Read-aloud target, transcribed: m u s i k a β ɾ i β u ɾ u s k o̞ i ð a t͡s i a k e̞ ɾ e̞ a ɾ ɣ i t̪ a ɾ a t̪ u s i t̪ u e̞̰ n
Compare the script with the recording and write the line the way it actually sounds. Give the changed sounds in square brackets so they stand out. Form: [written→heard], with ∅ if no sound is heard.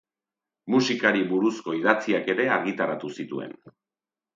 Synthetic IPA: m u s i k a [β→∅] ɾ i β u ɾ u s k o̞ i ð a t͡s i a k e̞ ɾ e̞ a ɾ ɣ i t̪ a ɾ a t̪ u s i t̪ u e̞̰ n